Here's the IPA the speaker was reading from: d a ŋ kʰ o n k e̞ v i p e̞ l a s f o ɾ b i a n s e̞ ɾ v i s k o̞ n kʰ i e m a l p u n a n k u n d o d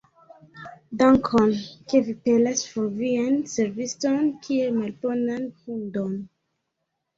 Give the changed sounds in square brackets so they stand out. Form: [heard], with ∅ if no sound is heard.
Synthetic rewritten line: d a ŋ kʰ o n k e̞ v i p e̞ l a s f o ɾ [v] i a n s e̞ ɾ v i s [t] o̞ n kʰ i e m a l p [o] n a n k u n d o [n]